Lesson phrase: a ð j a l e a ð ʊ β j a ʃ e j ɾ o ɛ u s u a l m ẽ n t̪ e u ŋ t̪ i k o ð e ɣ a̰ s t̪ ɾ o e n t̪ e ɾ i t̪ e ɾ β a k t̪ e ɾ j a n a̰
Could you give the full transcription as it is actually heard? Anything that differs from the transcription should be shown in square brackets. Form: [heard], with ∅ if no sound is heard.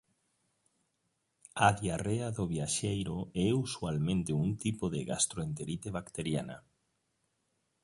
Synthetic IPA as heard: a ð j a [r] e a ð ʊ β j a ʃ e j ɾ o ɛ u s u a l m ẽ n t̪ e u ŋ t̪ i [p] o ð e ɣ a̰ s t̪ ɾ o e n t̪ e ɾ i t̪ e [∅] β a k t̪ e ɾ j a n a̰